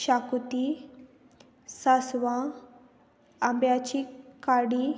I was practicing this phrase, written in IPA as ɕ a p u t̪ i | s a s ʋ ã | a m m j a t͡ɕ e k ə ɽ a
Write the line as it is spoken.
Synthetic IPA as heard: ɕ a k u t̪ i | s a s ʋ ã | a m b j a t͡ɕ i k a ɽ i